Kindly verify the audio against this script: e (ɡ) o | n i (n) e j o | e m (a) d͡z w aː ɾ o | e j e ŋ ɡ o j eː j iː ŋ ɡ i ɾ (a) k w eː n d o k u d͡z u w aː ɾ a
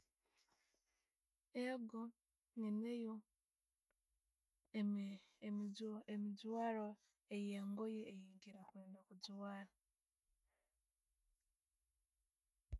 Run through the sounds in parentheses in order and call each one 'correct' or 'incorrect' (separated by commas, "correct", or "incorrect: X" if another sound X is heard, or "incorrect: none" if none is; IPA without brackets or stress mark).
correct, correct, incorrect: i, correct